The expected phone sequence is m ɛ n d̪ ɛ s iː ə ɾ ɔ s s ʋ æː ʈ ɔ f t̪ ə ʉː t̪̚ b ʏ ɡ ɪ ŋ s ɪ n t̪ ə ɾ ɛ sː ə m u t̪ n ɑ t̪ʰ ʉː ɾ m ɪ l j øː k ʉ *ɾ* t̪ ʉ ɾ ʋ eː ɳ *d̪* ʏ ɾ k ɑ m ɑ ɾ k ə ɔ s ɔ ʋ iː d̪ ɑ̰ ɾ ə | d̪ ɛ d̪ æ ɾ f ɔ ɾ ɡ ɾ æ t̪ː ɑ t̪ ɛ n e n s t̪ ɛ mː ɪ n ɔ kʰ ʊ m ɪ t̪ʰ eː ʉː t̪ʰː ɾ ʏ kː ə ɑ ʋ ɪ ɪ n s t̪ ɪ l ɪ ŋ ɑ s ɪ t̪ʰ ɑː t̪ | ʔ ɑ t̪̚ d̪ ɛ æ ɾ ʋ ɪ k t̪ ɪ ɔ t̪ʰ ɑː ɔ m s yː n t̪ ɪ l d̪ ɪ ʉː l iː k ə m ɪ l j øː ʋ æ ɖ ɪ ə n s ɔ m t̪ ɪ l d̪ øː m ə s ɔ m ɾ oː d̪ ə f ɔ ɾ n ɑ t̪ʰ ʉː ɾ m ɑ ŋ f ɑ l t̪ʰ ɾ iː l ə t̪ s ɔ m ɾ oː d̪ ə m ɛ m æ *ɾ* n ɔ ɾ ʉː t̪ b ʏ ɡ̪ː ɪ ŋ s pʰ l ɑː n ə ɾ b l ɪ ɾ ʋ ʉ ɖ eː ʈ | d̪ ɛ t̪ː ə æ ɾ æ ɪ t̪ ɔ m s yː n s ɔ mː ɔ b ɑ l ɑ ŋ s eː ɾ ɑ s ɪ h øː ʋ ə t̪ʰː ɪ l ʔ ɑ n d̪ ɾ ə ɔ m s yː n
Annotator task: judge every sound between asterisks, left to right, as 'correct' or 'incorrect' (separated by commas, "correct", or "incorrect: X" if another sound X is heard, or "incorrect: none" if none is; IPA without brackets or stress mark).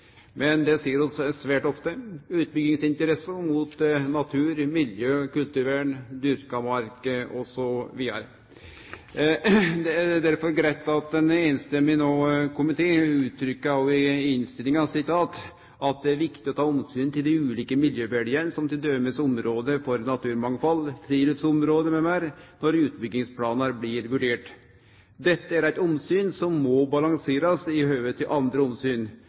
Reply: incorrect: l, correct, correct